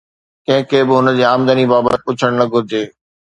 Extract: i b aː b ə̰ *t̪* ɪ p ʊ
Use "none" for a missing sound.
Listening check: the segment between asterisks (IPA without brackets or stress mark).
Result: t̪